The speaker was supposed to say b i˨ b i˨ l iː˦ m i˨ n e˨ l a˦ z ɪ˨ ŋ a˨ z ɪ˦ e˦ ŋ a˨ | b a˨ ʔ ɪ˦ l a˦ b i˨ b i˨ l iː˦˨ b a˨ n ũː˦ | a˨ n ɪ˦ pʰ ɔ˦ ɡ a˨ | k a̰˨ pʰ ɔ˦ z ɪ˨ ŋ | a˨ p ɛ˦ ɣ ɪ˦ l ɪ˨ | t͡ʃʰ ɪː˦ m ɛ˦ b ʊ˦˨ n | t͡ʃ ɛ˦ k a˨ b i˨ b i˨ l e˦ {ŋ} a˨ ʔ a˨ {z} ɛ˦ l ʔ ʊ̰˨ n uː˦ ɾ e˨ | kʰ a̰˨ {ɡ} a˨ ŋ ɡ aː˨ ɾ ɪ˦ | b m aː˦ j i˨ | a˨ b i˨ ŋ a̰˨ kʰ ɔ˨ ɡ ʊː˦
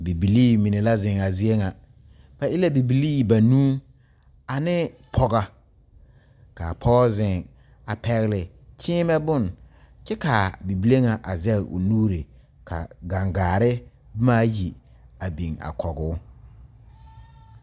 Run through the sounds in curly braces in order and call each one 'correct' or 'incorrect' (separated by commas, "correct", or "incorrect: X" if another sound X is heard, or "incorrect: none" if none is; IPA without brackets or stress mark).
correct, correct, correct